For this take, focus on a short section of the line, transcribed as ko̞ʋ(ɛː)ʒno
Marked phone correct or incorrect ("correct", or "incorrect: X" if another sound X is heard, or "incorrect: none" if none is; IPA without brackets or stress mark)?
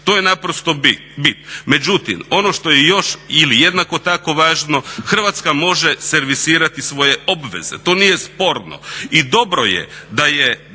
incorrect: aː